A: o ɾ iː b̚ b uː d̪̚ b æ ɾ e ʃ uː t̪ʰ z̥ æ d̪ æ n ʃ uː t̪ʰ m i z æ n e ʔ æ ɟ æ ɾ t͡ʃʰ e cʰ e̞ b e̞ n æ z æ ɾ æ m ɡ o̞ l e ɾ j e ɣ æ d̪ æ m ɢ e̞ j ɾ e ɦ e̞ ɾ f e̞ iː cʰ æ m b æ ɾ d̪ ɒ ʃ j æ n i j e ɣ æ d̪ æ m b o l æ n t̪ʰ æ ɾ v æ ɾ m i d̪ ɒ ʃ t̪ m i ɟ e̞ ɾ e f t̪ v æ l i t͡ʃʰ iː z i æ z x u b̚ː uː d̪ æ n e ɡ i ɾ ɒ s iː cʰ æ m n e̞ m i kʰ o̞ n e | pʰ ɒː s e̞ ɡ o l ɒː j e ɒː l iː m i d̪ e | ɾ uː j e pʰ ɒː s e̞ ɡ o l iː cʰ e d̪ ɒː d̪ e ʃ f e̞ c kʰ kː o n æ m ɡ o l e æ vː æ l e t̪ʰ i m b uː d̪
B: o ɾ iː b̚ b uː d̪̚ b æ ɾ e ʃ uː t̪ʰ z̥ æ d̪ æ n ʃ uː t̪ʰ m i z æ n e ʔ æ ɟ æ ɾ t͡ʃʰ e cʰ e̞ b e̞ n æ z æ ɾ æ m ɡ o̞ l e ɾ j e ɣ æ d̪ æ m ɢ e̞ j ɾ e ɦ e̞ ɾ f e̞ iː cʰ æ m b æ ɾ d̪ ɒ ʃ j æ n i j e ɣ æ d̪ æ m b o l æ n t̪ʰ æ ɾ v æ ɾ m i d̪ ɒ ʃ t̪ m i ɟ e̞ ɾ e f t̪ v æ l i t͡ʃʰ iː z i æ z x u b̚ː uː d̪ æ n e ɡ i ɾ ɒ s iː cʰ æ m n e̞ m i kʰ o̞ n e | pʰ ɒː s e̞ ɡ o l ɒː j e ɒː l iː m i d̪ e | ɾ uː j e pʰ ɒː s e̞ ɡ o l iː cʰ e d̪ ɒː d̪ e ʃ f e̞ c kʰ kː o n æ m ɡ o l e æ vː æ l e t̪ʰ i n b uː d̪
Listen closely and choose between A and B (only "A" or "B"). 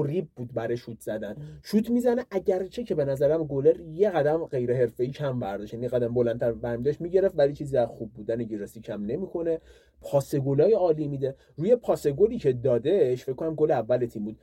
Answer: A